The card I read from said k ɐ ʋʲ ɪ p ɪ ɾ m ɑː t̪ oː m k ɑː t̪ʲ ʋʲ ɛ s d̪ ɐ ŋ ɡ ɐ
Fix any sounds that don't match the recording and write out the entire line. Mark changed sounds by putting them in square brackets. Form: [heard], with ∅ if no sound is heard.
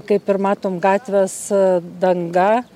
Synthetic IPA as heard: k ɐ [∅] ɪ p ɪ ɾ m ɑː t̪ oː m [ɡ] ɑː t̪ʲ ʋʲ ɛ s d̪ ɐ ŋ ɡ ɐ